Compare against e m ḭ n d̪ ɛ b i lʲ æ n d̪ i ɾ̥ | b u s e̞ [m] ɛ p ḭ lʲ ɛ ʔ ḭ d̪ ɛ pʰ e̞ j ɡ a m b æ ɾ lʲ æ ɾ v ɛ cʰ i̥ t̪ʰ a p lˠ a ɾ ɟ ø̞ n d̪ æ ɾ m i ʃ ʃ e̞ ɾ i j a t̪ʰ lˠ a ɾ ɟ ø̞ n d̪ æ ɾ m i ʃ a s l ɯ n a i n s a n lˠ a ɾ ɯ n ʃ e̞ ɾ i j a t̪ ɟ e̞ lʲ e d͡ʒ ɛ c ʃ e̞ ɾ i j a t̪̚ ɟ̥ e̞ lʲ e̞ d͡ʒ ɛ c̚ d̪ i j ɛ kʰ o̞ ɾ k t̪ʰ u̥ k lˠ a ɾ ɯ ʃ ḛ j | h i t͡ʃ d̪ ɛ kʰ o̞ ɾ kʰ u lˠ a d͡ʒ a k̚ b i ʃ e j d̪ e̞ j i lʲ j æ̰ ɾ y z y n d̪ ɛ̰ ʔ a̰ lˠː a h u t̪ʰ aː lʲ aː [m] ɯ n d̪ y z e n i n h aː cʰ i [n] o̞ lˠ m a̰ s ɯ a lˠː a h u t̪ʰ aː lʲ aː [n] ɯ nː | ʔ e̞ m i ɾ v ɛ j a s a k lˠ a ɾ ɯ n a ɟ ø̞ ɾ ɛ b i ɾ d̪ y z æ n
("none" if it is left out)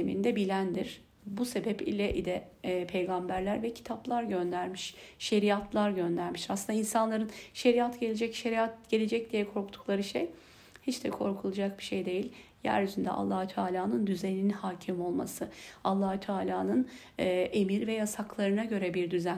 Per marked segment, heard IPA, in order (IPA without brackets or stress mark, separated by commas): b, n, m, n